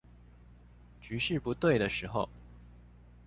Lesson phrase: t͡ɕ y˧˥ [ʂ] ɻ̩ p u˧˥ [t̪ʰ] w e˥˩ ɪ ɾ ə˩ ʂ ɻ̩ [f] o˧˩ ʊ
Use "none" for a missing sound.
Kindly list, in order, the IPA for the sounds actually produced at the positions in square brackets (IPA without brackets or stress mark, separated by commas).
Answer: ʂ, t̪, x